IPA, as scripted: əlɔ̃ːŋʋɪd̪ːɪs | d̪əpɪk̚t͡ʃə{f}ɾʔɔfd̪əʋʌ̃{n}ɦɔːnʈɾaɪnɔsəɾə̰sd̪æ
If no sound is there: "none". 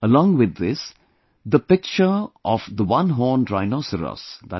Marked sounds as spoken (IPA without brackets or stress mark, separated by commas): none, n